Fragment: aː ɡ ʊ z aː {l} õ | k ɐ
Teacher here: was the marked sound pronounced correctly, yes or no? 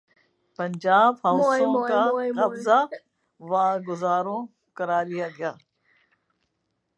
no